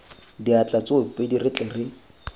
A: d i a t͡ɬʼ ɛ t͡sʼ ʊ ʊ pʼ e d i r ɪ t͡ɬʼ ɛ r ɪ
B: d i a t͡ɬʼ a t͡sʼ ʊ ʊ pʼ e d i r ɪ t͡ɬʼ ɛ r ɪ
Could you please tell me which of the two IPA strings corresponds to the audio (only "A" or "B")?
B